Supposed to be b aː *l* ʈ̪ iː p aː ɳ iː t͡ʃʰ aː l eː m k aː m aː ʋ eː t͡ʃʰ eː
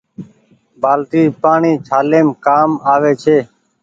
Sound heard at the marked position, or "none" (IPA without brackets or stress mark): l